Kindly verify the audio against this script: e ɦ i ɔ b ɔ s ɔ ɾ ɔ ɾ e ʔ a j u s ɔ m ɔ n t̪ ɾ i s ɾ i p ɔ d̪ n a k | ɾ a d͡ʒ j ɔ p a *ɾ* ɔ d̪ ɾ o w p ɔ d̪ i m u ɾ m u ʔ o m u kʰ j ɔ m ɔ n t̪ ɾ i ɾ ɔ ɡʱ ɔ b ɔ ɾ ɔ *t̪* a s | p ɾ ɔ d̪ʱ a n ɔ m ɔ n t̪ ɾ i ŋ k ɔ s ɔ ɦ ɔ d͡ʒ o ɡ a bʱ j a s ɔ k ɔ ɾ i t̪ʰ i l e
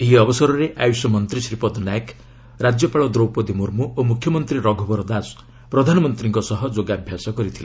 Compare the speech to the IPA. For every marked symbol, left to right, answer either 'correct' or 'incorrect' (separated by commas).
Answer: incorrect, incorrect